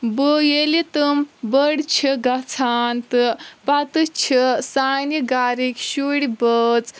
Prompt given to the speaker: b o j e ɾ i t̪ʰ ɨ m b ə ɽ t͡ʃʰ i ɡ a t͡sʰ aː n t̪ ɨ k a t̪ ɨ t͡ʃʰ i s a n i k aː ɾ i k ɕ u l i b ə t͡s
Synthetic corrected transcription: b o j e l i t̪ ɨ m b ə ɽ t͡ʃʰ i ɡ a t͡sʰ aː n t̪ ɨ p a t̪ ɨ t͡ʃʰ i s a n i ɡ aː ɾ i k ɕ u ɽ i b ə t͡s